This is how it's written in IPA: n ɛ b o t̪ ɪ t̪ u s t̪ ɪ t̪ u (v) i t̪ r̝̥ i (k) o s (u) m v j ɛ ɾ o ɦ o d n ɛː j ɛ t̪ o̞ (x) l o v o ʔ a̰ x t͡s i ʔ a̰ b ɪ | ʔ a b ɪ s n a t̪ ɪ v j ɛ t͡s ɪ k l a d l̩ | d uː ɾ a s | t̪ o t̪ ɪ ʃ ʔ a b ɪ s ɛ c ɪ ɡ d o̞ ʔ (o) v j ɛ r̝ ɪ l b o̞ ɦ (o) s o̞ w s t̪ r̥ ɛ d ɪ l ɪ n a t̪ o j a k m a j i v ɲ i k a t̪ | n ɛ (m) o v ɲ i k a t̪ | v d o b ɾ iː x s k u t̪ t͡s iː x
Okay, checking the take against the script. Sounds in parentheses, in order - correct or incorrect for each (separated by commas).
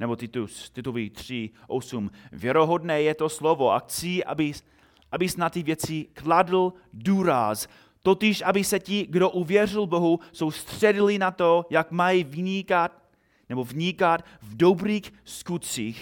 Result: correct, incorrect, correct, incorrect, incorrect, incorrect, incorrect